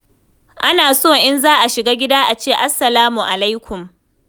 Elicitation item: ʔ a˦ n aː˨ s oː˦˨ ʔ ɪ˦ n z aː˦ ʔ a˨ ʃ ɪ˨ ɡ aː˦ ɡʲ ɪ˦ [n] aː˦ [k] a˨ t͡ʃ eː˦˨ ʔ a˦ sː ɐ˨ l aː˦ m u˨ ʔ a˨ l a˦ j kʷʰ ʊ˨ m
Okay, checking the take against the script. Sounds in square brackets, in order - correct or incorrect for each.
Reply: incorrect: d, incorrect: ʔ

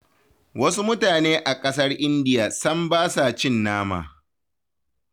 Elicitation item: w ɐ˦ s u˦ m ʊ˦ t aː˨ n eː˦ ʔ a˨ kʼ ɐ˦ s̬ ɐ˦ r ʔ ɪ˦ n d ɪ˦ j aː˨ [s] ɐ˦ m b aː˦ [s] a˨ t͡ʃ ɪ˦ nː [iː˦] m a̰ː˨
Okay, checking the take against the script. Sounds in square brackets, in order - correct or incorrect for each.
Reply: correct, correct, incorrect: aː˦

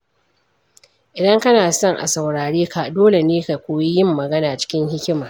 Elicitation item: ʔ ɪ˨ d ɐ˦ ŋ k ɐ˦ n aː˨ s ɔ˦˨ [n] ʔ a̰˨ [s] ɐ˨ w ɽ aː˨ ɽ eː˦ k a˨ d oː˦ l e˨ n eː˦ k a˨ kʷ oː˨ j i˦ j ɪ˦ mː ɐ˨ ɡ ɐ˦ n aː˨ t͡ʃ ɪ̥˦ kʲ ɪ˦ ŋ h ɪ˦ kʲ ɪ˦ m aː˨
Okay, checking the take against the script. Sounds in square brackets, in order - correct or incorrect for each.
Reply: incorrect: ŋ, correct

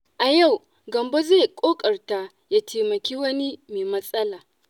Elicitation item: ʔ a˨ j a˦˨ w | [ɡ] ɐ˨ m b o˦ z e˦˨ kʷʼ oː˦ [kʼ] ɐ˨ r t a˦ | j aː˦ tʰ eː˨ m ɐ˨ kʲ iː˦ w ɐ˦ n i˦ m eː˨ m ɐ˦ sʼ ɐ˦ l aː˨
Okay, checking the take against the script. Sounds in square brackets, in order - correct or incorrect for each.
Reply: correct, correct

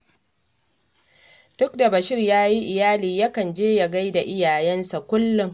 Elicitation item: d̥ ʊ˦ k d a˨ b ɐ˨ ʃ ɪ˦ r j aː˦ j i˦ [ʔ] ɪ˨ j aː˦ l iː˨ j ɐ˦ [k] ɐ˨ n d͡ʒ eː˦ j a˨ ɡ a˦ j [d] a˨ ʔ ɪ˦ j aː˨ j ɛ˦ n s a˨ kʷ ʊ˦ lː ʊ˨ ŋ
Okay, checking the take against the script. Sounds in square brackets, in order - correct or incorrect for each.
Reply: correct, correct, correct

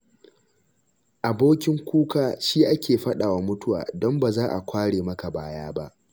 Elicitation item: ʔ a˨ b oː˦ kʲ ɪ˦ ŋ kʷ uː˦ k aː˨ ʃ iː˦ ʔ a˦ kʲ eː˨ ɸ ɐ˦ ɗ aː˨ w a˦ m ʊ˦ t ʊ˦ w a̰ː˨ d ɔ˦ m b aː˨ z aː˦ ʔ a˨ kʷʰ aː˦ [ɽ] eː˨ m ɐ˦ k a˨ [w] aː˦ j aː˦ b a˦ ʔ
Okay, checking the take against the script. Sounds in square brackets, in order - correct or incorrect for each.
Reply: correct, incorrect: b

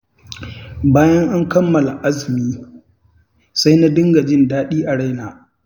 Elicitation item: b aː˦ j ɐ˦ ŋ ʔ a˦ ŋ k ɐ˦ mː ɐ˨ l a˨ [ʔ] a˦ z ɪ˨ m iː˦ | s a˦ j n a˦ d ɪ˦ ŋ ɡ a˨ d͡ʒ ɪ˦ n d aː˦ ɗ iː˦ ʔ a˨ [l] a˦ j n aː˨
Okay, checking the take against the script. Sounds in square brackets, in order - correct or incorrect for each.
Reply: correct, incorrect: ɽ

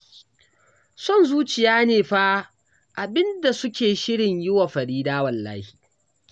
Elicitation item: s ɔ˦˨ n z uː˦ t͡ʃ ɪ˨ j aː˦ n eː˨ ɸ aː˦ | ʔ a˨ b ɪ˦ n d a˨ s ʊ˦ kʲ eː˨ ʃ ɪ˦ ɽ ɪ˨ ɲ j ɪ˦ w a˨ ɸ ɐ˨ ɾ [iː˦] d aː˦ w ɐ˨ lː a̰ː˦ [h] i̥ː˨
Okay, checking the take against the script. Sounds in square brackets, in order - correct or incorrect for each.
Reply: correct, correct

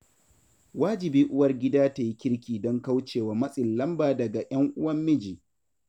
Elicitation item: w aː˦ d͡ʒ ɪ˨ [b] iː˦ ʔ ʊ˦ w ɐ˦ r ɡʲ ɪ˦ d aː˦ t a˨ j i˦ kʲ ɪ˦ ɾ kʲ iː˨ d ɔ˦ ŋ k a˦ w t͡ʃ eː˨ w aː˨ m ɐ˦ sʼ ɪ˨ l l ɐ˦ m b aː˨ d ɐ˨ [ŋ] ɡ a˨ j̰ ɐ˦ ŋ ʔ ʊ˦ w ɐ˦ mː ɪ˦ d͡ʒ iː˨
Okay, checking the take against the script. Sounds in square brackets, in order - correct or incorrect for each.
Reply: correct, incorrect: none

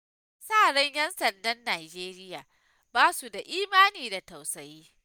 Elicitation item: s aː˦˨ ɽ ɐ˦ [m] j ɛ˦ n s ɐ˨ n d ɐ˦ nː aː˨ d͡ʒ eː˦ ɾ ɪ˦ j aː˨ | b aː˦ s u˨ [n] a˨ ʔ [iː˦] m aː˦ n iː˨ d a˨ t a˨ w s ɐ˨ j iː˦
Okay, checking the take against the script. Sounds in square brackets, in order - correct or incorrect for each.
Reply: incorrect: ɲ, incorrect: d, correct

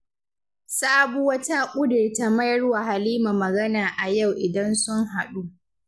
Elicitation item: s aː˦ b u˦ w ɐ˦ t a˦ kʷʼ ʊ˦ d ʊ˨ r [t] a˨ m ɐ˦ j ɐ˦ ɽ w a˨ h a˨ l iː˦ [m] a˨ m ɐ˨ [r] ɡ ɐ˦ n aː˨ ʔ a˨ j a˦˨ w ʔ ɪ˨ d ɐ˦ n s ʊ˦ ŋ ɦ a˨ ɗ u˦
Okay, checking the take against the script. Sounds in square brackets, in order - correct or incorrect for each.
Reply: correct, correct, incorrect: none

